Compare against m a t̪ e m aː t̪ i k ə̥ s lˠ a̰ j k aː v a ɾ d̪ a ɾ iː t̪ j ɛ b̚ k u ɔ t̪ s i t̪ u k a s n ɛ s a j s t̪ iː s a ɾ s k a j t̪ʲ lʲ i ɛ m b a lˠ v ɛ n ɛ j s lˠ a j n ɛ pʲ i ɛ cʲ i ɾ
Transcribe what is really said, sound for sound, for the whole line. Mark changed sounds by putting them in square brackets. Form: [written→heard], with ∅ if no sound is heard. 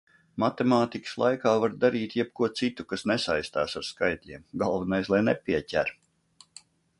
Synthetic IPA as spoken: m a t̪ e m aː t̪ i k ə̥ s lˠ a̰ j k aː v a ɾ d̪ a ɾ iː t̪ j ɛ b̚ k u ɔ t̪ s i t̪ u k a s n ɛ s a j s t̪ [iː→aː] s a ɾ s k a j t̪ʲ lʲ i ɛ m [b→ɡ] a lˠ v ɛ n [ɛ→a] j s lˠ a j n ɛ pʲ i ɛ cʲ [i→æ] ɾ